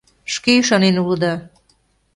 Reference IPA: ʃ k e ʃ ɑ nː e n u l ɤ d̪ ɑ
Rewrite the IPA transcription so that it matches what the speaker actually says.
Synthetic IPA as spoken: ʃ k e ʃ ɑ n e n u l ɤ d̪ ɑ